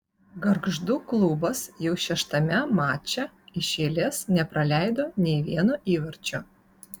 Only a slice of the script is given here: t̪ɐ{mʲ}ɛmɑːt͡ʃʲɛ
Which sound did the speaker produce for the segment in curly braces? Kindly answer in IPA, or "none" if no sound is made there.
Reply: mʲ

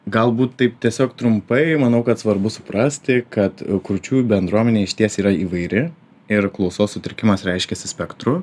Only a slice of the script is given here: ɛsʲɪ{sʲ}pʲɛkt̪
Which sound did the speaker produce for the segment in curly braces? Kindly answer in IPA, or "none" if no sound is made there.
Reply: sʲ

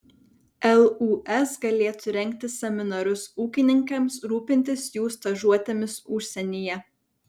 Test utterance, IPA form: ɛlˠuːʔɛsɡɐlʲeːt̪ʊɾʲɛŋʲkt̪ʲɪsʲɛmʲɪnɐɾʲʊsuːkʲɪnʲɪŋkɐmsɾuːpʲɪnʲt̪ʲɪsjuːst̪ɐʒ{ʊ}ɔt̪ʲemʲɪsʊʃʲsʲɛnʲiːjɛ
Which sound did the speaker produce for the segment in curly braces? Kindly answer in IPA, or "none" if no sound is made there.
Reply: u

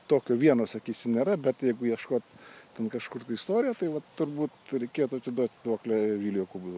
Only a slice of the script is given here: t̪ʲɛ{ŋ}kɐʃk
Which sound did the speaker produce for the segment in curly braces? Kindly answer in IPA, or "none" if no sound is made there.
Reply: n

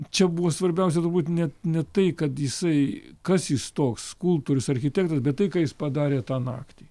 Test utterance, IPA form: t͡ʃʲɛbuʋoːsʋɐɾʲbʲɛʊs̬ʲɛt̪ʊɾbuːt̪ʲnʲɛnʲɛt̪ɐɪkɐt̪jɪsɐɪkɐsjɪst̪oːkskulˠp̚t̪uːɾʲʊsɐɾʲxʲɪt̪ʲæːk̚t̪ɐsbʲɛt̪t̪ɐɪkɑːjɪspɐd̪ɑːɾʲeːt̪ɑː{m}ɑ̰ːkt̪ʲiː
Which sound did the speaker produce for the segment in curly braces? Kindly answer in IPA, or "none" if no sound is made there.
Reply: n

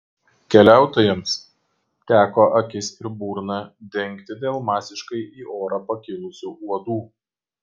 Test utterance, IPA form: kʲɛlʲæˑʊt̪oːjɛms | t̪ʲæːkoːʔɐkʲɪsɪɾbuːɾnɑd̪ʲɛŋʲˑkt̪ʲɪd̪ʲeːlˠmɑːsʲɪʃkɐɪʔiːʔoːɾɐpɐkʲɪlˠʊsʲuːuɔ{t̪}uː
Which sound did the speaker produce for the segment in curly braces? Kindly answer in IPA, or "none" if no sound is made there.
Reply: d̪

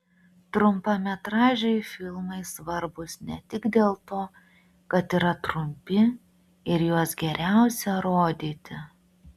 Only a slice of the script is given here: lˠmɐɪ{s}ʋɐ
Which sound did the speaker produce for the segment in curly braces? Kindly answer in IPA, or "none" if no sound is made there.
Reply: s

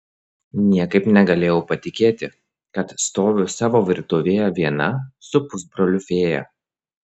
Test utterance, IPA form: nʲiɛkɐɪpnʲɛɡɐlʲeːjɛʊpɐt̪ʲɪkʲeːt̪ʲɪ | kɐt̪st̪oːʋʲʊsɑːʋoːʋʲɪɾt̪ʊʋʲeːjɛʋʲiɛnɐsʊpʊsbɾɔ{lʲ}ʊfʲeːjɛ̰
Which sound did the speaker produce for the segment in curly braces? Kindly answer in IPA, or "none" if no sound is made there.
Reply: lʲ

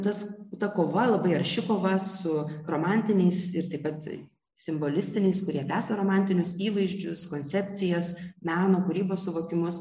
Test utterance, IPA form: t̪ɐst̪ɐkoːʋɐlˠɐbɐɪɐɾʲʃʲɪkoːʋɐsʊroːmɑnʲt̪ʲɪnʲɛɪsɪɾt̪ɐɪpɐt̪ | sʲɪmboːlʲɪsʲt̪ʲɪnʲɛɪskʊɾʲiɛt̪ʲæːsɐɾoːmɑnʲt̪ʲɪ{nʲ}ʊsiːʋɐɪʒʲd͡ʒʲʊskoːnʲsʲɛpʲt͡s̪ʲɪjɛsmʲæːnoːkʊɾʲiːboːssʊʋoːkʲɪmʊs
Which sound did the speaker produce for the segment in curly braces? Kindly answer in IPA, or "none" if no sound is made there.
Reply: nʲ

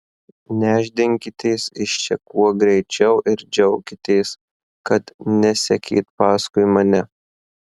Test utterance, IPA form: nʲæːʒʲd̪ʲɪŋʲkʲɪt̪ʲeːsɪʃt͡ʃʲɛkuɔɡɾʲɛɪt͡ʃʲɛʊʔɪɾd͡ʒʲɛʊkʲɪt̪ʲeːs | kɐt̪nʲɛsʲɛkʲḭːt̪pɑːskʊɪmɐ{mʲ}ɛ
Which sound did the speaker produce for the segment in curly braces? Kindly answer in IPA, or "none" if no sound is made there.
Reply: nʲ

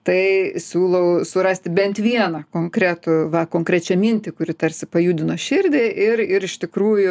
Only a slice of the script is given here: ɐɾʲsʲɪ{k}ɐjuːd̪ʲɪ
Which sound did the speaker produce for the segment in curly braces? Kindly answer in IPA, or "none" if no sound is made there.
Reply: p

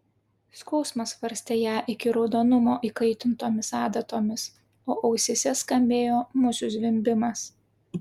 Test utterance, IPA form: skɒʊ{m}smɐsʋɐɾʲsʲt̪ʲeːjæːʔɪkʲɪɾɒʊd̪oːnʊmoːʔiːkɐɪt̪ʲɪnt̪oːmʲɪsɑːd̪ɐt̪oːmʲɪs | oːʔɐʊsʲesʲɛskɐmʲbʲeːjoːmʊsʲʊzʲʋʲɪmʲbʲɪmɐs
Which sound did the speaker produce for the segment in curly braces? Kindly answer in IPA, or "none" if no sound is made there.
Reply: none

